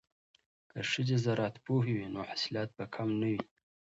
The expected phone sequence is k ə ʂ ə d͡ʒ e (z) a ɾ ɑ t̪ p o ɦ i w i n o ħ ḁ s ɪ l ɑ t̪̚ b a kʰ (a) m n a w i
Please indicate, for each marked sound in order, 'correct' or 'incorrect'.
correct, correct

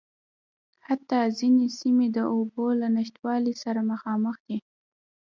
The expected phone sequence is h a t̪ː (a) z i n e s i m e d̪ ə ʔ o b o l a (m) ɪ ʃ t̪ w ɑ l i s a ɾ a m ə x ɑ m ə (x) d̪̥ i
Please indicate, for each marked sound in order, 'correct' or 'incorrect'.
incorrect: ɑ, incorrect: n, correct

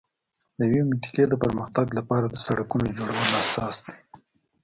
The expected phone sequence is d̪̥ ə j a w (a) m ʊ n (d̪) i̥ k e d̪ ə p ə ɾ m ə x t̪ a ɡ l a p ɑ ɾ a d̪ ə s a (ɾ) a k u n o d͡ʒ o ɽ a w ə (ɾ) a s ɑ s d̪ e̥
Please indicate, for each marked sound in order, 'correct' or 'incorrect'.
incorrect: e, incorrect: t̪, incorrect: ɽ, incorrect: l

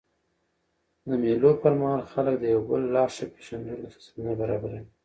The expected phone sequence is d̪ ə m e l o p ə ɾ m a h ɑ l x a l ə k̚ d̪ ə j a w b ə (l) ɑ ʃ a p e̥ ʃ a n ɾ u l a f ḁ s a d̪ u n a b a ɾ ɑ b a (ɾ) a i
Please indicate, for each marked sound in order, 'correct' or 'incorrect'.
incorrect: lː, correct

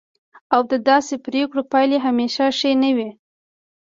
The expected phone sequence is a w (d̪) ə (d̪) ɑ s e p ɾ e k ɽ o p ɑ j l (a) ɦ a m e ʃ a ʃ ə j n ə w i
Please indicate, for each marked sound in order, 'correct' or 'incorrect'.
correct, correct, incorrect: e

